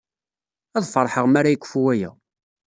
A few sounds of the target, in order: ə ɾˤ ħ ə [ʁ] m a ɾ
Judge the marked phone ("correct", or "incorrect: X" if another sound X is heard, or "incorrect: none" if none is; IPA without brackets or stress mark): correct